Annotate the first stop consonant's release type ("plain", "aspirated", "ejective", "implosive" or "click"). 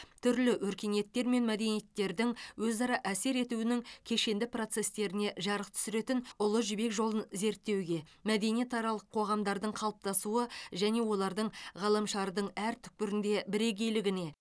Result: aspirated